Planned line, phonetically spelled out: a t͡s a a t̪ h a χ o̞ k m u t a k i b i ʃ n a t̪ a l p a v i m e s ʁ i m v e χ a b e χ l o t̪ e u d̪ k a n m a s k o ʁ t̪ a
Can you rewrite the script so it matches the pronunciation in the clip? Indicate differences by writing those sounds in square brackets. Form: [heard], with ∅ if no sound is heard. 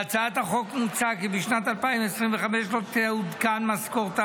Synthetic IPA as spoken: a t͡s a a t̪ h a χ o̞ k m u [t͡s] a k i b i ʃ n a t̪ a l p a [∅] i m e s ʁ i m v e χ a [m] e [ʃ] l o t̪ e u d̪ k a n m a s k o ʁ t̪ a